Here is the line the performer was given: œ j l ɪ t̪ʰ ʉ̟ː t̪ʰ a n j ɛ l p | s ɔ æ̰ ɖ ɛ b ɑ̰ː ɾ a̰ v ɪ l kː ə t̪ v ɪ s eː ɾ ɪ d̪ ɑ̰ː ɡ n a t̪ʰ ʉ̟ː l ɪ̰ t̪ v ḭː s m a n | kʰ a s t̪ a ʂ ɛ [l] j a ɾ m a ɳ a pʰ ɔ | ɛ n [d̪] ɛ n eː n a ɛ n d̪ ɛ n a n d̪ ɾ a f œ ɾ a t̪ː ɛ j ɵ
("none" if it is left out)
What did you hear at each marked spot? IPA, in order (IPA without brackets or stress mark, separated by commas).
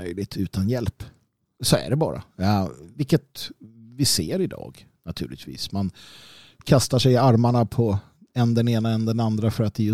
none, d̪